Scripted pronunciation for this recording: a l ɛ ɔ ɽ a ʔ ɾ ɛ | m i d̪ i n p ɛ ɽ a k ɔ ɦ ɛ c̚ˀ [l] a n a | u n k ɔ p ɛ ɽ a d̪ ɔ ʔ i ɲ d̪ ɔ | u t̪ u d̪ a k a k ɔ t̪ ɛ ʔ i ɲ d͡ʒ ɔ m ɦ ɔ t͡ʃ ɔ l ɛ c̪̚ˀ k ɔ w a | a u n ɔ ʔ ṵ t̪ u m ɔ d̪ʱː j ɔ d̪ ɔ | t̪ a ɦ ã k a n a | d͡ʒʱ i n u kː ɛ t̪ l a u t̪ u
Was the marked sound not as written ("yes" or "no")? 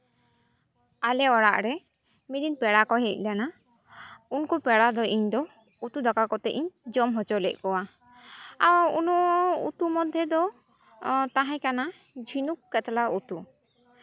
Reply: no